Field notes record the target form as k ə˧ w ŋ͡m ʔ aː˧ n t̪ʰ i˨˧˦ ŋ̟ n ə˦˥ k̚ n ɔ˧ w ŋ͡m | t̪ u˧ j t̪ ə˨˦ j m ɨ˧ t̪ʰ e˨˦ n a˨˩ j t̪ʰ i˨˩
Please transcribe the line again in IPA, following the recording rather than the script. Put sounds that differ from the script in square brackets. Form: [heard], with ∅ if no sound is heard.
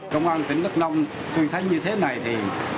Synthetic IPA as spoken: k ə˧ w ŋ͡m ʔ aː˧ n [t̪] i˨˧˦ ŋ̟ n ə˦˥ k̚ n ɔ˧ w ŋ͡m | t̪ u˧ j [t̪ʰ] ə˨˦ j [ɲ] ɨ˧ t̪ʰ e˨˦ n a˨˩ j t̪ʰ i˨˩